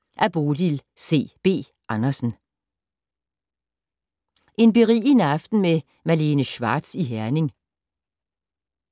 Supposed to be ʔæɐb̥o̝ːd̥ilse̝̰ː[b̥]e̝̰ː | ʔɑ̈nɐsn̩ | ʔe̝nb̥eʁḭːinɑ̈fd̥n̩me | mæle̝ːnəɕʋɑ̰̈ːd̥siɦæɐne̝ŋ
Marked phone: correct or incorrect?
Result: correct